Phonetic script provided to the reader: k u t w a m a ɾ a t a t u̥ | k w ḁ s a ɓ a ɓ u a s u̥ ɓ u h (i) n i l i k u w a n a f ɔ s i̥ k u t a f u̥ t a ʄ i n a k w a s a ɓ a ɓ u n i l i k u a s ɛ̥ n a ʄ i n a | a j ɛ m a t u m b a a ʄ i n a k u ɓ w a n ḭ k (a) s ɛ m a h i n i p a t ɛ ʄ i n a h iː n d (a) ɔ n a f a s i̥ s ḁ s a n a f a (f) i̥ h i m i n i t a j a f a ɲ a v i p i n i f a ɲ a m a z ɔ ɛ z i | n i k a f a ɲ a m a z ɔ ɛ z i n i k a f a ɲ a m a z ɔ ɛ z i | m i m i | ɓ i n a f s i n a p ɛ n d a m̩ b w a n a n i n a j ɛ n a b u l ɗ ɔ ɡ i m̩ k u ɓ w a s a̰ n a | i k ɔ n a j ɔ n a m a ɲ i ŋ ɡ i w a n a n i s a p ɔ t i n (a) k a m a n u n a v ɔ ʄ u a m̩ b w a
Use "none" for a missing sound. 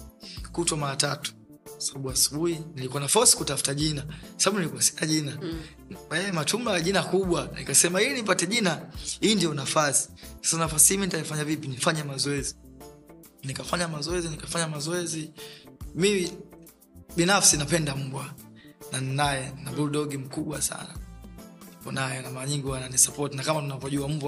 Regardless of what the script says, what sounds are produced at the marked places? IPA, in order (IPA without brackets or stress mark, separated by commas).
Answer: i, a, i, s, a